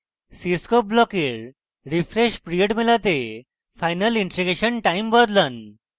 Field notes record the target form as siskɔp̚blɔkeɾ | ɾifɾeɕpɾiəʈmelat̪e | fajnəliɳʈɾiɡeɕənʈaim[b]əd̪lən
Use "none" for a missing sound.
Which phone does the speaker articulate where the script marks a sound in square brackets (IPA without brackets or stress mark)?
b